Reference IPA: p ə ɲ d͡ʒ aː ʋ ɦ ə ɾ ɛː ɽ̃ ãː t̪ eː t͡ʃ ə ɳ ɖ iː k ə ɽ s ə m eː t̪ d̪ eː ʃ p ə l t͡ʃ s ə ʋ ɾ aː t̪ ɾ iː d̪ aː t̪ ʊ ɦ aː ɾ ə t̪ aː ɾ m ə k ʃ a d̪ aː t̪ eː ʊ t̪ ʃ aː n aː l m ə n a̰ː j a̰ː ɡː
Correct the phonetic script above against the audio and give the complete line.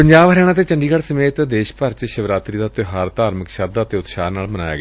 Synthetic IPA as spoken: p ə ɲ d͡ʒ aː ʋ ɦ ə ɾ ɛː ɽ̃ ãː t̪ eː t͡ʃ ə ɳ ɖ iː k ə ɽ s ə m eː t̪ d̪ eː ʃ p ə ɾ t͡ʃ ʃ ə ʋ ɾ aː t̪ ɾ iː d̪ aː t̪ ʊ ɦ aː ɾ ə t̪ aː ɾ m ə k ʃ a d̪ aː t̪ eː ʊ t̪ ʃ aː n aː l m ə n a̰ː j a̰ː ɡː